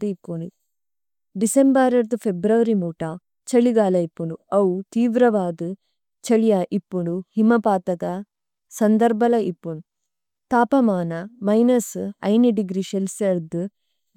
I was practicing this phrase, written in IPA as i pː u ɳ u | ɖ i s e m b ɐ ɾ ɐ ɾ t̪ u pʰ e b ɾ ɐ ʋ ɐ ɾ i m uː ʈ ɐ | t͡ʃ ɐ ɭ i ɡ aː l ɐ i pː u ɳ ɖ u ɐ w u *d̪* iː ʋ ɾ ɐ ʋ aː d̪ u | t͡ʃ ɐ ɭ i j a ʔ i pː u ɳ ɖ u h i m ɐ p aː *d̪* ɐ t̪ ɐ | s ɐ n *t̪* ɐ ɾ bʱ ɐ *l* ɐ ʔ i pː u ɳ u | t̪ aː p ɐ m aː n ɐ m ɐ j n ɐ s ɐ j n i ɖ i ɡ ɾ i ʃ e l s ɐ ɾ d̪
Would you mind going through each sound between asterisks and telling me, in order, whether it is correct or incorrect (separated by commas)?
incorrect, incorrect, incorrect, correct